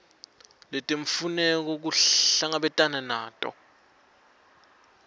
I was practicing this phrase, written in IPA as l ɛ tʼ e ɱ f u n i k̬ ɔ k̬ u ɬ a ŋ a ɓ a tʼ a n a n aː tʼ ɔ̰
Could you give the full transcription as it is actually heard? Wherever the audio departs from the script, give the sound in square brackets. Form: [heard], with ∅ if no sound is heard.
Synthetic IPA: l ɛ tʼ e ɱ f u n [ɛ] k̬ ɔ k̬ u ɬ a ŋ a ɓ [ɛ] tʼ a n a n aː tʼ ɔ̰

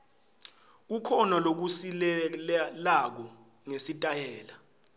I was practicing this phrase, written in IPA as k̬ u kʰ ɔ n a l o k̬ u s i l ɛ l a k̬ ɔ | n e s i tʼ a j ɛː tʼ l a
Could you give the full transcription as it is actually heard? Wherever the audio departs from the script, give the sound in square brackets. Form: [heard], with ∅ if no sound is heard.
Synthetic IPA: k̬ u kʰ ɔ n a l o k̬ u s i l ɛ l a k̬ ɔ | [ŋ] e s i tʼ a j ɛː [∅] l a

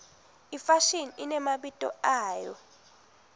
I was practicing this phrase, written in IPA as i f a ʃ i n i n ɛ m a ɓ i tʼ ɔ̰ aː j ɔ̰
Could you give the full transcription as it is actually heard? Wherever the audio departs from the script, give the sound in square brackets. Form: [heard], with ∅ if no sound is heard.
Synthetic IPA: i f a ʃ i n i n ɛ m a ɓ i tʼ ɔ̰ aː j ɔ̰

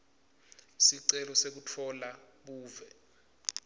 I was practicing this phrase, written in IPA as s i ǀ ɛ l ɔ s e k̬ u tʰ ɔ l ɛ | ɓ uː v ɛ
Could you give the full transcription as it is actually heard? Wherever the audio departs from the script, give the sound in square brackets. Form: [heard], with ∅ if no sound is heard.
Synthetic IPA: s i ǀ ɛ l ɔ s e k̬ u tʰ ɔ l [a] | ɓ uː v ɛ

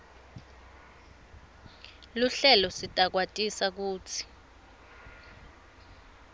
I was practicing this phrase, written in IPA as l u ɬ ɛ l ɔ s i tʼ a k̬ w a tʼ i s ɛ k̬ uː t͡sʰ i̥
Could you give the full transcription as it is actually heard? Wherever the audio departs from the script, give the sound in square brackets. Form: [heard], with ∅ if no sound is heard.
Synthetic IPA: l u ɬ ɛ l ɔ s i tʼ a k̬ w a tʼ i s [a] k̬ uː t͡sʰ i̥

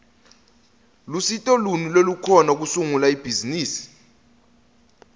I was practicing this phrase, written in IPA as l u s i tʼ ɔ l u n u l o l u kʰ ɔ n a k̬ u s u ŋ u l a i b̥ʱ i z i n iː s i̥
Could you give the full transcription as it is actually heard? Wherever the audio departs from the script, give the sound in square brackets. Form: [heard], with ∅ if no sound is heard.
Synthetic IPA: l u s i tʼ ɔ l u n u l o l u kʰ ɔ n a k̬ u s u ŋ u l a i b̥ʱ i z i n iː s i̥

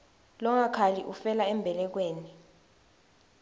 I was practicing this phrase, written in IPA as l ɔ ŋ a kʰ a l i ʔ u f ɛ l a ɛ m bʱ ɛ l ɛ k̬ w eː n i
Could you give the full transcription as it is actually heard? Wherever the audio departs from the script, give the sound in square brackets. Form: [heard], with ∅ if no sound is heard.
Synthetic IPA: l ɔ ŋ a kʰ a l i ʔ u f ɛ l a ɛ m bʱ ɛ l ɛ k̬ w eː n i

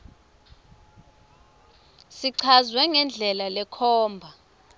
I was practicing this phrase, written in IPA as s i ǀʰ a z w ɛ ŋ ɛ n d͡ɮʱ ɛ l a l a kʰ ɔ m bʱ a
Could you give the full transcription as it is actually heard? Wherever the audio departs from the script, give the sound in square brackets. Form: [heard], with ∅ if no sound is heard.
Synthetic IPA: s i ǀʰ a z w ɛ ŋ ɛ n d͡ɮʱ ɛ l a l [ɛ] kʰ [ɔː] m bʱ a

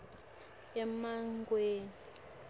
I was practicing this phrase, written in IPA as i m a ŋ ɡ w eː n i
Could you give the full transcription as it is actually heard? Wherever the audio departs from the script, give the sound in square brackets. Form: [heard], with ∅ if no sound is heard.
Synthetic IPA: [ɛ] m a ŋ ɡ w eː n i

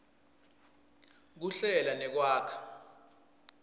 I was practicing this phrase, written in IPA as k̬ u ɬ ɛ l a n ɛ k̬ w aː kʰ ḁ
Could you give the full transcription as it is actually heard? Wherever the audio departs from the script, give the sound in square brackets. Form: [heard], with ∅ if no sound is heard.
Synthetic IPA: k̬ u ɬ ɛ l a n ɛ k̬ w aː kʰ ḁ

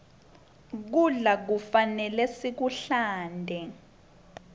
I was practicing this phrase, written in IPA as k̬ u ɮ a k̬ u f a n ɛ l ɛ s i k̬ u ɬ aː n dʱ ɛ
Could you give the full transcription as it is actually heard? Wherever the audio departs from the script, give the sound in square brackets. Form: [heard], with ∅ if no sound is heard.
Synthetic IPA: k̬ u ɮ a k̬ u f a n ɛ l ɛ s i k̬ u ɬ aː n dʱ ɛ

